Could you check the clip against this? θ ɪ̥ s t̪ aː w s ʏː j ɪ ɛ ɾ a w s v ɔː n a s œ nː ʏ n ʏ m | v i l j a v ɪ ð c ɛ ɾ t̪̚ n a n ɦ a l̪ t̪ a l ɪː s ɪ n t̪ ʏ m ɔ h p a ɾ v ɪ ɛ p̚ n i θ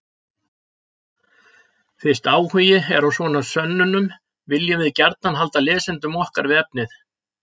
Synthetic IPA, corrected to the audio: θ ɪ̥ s t̪ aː w h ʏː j ɪ ɛ ɾ a w s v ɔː n a s œ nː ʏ n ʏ m | v ɪ l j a v ɪ ð c ɛ ɾ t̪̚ n a n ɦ a l̪ t̪ a l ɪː s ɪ n t̪ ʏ m ɔ h k a ɾ v ɪ ɛ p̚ n ɪ θ